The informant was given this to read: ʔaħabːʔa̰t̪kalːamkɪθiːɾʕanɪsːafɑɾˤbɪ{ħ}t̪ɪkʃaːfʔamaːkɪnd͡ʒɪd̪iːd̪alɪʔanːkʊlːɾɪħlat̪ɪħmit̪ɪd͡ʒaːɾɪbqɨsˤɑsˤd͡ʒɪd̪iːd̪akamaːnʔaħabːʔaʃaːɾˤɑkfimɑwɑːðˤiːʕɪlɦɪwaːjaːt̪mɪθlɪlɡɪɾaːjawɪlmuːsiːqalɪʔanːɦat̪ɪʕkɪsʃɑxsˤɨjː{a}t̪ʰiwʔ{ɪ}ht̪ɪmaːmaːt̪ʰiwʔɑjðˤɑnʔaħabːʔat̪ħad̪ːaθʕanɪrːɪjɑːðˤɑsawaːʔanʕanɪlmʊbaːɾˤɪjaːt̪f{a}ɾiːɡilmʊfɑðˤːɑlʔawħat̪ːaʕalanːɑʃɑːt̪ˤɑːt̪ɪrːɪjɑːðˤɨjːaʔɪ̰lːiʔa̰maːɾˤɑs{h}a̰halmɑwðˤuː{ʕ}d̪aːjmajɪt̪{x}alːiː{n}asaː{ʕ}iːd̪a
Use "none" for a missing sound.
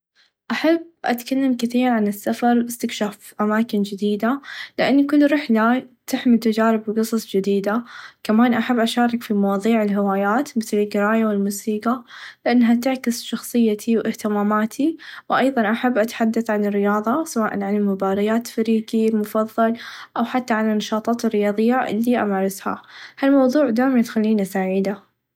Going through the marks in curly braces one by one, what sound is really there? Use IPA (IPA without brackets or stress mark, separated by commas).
s, a, ɪ, a, h, ʕ, x, n, ʕ